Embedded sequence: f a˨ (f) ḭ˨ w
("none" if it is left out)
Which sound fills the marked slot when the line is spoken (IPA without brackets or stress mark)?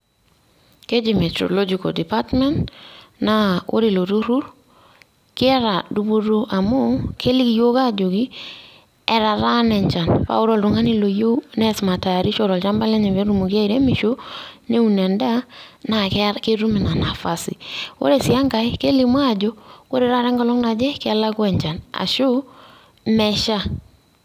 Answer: s